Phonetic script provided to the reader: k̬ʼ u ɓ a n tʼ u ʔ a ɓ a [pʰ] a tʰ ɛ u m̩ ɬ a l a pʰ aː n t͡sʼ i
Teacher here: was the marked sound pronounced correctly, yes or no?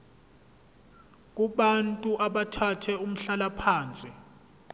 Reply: no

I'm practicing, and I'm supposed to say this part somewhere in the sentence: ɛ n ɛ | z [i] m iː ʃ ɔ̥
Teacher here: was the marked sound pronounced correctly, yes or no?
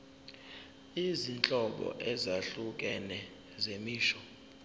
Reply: no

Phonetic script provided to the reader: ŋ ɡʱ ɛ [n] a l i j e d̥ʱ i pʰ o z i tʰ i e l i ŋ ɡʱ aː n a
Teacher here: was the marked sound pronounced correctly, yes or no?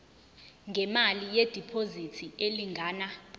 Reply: no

